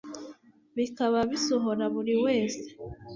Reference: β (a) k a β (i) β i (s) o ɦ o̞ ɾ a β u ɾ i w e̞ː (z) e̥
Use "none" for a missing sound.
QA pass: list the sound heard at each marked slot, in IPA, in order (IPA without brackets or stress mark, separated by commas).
i, a, s, s